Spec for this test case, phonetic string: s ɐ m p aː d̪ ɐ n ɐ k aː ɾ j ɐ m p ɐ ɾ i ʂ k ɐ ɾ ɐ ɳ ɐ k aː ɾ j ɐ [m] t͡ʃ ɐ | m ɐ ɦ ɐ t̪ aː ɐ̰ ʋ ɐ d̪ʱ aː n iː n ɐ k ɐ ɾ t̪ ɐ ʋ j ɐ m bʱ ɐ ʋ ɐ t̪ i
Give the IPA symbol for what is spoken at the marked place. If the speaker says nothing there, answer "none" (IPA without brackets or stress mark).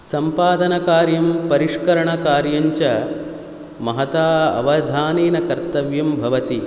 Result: ɲ